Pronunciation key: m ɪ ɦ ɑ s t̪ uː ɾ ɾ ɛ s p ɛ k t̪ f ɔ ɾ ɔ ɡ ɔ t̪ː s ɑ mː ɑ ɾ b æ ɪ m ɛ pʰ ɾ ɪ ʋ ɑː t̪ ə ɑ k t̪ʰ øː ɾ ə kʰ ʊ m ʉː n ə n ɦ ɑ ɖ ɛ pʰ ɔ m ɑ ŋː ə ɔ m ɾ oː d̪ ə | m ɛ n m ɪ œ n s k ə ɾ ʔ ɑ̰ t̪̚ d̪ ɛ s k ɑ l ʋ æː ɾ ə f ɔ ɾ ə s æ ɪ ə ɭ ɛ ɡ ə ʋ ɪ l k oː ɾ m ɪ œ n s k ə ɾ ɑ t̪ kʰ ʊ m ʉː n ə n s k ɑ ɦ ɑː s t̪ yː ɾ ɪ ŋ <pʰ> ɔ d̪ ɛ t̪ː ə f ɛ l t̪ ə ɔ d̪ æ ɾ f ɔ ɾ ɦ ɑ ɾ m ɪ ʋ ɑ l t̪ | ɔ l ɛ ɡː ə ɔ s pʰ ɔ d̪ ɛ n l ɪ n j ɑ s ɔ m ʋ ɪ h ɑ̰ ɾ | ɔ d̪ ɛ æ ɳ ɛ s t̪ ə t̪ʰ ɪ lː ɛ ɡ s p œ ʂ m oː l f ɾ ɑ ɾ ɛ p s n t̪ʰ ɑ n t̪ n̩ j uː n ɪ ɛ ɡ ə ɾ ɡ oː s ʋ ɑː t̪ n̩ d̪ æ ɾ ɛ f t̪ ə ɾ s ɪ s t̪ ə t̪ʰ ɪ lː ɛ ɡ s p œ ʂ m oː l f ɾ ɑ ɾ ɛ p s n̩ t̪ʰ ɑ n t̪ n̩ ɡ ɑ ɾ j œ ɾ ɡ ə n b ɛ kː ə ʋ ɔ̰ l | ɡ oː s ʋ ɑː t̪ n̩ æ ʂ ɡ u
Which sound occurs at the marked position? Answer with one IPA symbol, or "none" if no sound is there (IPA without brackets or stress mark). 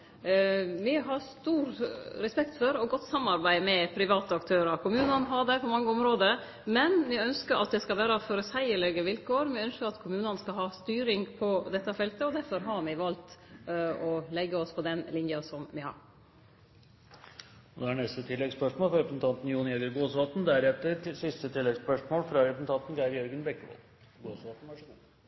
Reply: pʰ